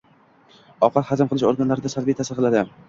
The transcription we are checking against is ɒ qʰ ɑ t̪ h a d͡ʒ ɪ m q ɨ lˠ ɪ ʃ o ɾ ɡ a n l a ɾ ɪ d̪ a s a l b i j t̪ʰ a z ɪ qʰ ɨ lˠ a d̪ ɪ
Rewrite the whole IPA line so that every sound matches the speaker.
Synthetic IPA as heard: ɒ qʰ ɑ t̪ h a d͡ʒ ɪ m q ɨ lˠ ɪ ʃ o ɾ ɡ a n l a ɾ ɪ d̪ a s a l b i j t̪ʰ a s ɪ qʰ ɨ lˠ a d̪ ɪ